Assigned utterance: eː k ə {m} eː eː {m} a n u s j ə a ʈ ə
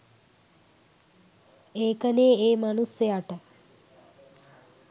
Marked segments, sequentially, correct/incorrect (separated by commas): incorrect, correct